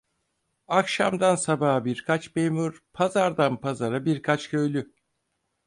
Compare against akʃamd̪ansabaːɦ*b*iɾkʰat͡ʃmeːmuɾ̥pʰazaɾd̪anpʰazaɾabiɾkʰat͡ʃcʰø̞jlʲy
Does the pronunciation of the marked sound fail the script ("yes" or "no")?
no